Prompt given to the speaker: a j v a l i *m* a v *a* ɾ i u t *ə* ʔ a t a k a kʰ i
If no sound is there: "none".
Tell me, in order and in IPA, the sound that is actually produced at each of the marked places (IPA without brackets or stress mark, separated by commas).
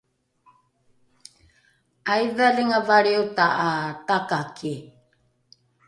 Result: ŋ, a, a